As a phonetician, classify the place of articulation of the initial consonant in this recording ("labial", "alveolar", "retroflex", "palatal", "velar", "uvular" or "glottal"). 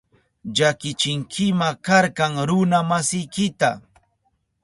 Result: palatal